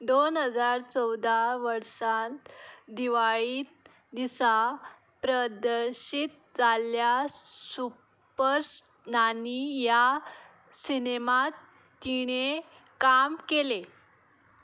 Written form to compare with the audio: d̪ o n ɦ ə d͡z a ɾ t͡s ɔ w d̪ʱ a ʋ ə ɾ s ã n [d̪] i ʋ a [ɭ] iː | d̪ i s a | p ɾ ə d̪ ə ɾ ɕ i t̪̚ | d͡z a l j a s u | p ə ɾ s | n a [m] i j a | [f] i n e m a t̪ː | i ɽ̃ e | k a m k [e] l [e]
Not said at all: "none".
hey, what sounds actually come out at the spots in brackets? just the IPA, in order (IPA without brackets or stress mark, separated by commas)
d̪, ɭ, n, s, e, e